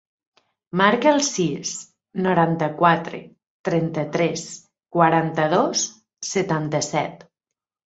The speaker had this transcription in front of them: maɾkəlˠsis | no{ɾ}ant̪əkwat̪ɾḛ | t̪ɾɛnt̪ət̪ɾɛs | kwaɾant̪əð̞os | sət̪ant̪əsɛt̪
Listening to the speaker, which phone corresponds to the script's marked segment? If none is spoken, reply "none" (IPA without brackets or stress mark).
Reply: ɾ